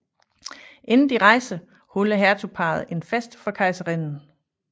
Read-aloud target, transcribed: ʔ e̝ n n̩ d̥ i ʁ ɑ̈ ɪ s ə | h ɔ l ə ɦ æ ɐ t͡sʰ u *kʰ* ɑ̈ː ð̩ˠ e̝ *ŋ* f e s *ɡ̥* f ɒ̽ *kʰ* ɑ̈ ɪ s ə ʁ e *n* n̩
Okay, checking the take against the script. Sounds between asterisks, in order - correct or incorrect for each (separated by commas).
incorrect, incorrect, incorrect, correct, correct